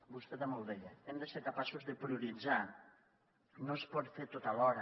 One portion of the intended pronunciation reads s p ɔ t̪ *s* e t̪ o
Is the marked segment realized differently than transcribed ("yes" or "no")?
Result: yes